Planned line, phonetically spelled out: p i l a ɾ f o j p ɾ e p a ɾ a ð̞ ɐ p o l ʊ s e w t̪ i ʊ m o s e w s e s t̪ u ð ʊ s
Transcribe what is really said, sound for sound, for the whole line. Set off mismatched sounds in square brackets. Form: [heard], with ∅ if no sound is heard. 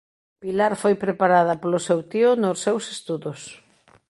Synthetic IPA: p i l a ɾ f o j p ɾ e p a ɾ a ð̞ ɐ p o l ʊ s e w t̪ i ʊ [n] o s e w s e s t̪ u ð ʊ s